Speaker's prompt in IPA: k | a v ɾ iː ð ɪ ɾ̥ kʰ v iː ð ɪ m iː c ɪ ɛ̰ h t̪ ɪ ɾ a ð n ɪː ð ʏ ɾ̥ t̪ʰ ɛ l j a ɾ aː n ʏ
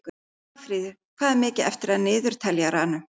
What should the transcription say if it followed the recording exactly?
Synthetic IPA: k | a f ɾ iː ð ɪ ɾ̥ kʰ v aː ð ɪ m ɪː c ɪ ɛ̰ f t̪ ɪ ɾ a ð n ɪː ð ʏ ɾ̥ t̪ʰ ɛ l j a ɾ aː n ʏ